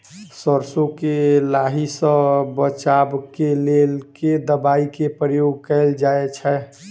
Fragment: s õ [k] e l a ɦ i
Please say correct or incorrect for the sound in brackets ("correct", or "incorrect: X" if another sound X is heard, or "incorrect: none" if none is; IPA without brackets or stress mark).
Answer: correct